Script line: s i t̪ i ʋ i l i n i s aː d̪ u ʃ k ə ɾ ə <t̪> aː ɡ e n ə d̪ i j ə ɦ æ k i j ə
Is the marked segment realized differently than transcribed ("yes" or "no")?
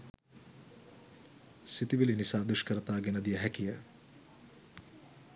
no